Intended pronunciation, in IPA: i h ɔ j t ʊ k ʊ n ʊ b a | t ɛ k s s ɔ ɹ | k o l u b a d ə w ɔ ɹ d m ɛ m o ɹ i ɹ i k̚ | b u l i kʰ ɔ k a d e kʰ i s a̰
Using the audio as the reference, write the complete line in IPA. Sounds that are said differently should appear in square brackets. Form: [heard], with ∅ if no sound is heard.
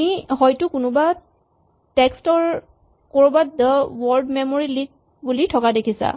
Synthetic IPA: i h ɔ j t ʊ k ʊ n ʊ b a | t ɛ k s [t] ɔ ɹ | k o [ɹ] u b a d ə w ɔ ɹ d m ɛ m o ɹ i [l] i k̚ | b u l i [tʰ] ɔ k a d e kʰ i s a̰